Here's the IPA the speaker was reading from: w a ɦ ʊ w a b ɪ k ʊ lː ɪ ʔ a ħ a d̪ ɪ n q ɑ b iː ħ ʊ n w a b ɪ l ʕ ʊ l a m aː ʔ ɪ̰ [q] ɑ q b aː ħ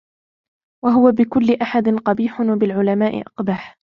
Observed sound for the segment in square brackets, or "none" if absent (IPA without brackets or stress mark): ʔ